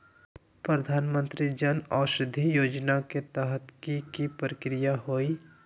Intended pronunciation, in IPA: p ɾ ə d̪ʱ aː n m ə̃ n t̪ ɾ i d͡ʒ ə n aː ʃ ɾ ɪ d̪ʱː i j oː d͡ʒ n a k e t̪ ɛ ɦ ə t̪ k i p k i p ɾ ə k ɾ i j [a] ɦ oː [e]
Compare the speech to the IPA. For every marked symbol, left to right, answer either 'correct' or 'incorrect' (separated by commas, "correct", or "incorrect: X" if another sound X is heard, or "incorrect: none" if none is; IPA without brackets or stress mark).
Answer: correct, incorrect: i